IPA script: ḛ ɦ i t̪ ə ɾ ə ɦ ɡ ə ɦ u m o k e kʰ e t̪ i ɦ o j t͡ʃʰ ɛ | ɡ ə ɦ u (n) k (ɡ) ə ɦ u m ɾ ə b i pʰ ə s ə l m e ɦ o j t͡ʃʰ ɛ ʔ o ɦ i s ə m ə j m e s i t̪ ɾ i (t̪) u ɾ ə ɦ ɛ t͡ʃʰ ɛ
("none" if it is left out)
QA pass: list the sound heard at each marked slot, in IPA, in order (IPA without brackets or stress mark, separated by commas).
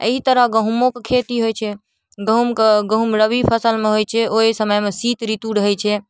m, ɡ, t̪